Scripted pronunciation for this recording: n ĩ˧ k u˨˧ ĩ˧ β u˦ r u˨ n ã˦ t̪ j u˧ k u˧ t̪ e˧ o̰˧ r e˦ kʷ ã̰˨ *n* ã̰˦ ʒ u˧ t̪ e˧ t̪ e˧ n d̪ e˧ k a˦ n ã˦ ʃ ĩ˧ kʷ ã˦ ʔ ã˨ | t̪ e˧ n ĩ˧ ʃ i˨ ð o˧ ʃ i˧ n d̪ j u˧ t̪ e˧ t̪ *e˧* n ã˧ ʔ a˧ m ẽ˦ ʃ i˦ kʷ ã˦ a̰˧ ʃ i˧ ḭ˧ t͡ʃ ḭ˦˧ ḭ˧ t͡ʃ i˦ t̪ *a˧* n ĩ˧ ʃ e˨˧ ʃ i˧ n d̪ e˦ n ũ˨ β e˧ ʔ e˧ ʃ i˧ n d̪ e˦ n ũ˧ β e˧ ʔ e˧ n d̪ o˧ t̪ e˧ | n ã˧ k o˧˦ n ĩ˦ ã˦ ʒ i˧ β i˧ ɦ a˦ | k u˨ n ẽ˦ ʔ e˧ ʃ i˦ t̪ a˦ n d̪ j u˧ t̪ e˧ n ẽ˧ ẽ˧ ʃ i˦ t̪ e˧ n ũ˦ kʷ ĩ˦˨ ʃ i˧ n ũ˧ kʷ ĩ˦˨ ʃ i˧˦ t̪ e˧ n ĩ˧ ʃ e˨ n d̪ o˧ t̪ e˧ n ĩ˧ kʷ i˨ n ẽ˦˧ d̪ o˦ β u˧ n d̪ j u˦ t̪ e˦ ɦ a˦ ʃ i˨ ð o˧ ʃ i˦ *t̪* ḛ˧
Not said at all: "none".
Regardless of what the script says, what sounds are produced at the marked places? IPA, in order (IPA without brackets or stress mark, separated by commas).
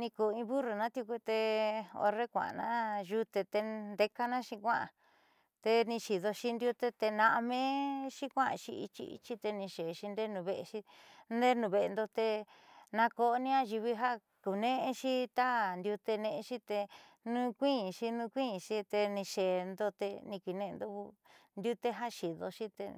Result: n, e˧, e˧, t̪